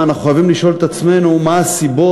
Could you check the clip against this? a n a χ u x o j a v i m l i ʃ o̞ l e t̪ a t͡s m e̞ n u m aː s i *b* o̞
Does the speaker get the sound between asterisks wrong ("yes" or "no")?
no